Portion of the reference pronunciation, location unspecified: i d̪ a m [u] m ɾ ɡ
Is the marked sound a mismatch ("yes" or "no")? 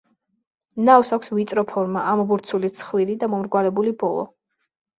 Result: yes